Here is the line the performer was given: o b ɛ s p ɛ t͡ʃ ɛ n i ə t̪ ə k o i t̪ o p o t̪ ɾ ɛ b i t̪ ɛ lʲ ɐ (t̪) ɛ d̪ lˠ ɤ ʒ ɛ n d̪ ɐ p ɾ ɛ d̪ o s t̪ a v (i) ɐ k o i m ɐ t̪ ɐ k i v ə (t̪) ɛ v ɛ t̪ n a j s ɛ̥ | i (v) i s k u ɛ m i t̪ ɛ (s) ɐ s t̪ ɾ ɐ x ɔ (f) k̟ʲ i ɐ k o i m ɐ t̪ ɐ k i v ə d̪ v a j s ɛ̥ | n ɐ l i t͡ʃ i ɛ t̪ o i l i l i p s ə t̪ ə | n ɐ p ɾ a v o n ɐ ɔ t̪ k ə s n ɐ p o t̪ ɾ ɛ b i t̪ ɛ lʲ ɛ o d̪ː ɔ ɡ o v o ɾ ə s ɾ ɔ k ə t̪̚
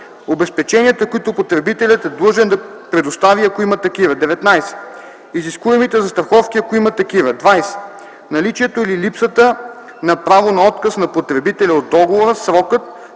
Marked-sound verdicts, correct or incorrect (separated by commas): correct, correct, incorrect, incorrect, incorrect, correct